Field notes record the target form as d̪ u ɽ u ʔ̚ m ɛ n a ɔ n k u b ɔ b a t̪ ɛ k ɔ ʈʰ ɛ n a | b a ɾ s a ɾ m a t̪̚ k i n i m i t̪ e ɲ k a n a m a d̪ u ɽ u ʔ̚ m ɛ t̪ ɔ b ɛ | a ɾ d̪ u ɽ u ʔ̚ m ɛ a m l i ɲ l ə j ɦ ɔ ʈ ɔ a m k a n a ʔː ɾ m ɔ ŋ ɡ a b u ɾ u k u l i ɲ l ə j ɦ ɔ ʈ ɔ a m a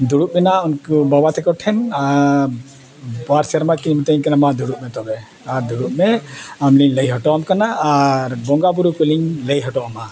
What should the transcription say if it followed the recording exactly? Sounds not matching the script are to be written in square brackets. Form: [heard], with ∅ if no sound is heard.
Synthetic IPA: d̪ u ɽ u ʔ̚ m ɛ n a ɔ n k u b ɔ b a t̪ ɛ k ɔ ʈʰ ɛ n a | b a ɾ s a ɾ m a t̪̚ k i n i m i t̪ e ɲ k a n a m a d̪ u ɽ u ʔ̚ m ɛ t̪ ɔ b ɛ | a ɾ d̪ u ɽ u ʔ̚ m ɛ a m l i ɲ l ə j ɦ ɔ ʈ ɔ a m k a n a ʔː ɾ [b] ɔ ŋ ɡ a b u ɾ u k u l i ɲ l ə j ɦ ɔ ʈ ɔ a m a

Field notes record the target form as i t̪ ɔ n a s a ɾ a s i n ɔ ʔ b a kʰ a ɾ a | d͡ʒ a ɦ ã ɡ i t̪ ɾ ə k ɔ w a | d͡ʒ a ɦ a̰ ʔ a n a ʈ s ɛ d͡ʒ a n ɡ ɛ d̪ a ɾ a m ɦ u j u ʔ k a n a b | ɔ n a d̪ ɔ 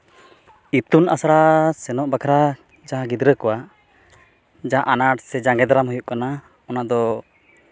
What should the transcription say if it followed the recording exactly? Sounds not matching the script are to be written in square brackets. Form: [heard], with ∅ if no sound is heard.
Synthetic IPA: i t̪ [u] n a s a ɾ a s [ɛ] n ɔ ʔ b a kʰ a ɾ a | d͡ʒ a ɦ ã ɡ i [d̪] ɾ ə k ɔ w a | d͡ʒ a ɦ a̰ ʔ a n a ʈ s ɛ d͡ʒ a [ŋ] ɡ ɛ d̪ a ɾ a m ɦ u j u ʔ k a n a [∅] | ɔ n a d̪ ɔ

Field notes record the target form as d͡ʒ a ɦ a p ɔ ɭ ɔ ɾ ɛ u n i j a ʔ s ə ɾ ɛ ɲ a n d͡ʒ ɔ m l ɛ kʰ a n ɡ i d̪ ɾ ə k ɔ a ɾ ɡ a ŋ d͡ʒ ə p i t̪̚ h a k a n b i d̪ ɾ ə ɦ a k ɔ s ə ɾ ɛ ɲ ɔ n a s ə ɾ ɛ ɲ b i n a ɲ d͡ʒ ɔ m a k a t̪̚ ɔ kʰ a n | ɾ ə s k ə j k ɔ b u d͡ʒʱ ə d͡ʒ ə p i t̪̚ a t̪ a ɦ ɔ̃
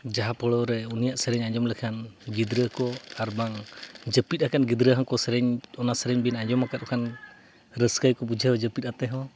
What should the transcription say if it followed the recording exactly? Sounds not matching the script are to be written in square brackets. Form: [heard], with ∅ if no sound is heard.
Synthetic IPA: d͡ʒ a ɦ a p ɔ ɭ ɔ ɾ ɛ u n i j a ʔ s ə ɾ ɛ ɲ a [ɲ] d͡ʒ ɔ m l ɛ kʰ a n ɡ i d̪ ɾ ə k ɔ a ɾ [b] a ŋ d͡ʒ ə p i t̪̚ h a k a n [ɡ] i d̪ ɾ ə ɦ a k ɔ s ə ɾ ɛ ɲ ɔ n a s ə ɾ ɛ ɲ b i n a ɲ d͡ʒ ɔ m a k a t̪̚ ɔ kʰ a n | ɾ ə s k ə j k ɔ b u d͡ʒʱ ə d͡ʒ ə p i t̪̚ a t̪ [ɛ] ɦ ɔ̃

